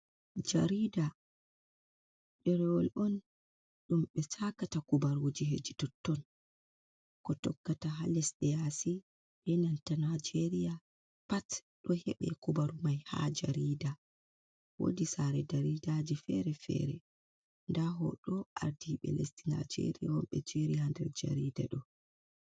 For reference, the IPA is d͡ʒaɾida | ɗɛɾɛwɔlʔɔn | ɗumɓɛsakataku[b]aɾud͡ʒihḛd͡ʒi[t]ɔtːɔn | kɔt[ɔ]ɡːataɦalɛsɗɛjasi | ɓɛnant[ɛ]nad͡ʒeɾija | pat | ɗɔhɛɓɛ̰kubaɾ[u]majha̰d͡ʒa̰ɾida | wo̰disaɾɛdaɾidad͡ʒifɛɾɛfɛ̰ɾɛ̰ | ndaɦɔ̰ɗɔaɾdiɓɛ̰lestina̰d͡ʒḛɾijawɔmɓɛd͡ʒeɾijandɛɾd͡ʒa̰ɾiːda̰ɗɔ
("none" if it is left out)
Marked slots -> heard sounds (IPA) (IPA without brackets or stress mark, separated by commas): b, t, ɔ, a, u